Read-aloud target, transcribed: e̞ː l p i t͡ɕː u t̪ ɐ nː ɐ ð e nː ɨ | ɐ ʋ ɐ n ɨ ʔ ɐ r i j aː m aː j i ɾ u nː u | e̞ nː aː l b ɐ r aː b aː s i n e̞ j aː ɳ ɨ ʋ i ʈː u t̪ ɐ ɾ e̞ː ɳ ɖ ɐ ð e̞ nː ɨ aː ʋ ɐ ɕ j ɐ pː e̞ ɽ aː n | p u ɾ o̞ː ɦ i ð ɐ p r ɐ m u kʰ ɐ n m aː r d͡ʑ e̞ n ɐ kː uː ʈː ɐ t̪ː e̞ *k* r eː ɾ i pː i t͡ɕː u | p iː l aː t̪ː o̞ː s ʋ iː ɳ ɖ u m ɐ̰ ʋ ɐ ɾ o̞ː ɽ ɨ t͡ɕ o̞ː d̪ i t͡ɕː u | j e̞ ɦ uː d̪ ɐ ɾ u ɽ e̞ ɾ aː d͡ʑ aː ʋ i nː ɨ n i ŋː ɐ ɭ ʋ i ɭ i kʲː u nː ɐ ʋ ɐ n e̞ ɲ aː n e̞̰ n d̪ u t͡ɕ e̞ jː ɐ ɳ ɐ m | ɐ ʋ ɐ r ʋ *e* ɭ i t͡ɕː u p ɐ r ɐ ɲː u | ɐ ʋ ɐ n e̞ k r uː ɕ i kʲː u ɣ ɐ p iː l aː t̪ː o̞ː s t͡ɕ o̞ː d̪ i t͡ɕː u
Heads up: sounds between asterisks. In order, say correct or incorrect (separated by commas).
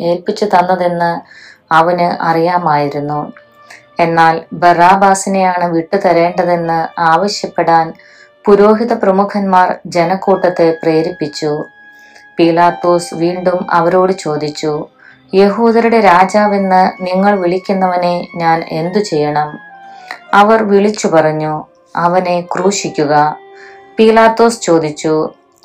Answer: incorrect, incorrect